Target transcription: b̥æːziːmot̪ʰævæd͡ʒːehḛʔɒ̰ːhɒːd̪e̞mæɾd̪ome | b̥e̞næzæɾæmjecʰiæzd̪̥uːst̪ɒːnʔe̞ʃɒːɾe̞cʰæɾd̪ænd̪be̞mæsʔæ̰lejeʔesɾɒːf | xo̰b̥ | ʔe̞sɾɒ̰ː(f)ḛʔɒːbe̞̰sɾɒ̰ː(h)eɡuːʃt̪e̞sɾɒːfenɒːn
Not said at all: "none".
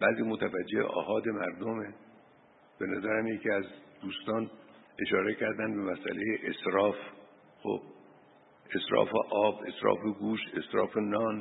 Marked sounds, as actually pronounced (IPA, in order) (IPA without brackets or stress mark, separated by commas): f, f